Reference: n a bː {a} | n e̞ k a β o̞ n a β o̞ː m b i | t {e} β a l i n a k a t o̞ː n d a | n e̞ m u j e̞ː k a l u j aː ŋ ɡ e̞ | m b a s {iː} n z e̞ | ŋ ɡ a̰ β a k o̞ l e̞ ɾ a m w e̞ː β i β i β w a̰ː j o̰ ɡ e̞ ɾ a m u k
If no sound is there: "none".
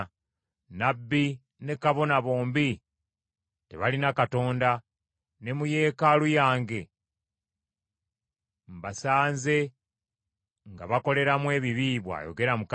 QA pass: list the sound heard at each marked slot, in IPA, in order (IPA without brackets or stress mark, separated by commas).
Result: i, e, aː